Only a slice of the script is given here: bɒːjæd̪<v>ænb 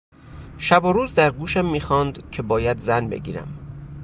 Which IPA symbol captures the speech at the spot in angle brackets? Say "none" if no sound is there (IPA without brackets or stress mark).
z